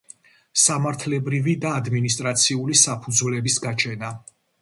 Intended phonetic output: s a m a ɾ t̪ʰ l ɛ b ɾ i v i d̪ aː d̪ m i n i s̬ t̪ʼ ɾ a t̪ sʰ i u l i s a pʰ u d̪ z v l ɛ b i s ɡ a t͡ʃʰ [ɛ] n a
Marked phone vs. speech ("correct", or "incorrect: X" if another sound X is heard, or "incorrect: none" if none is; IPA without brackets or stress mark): correct